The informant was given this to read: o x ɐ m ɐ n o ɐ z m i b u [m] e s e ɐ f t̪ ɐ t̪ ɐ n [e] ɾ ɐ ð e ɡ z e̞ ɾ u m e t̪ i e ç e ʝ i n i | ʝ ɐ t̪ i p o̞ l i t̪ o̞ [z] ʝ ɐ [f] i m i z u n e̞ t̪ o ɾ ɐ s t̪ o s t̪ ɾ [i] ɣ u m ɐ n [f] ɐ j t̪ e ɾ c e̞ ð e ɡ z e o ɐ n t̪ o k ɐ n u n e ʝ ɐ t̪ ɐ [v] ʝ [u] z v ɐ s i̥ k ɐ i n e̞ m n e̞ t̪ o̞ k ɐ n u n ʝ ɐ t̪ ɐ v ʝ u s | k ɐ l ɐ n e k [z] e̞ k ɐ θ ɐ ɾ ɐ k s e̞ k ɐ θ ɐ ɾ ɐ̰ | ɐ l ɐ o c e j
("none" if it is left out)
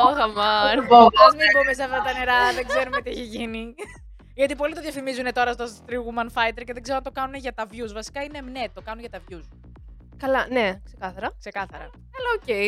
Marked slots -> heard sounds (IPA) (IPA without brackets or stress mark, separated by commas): m, e, ð, f, i, f, v, u, s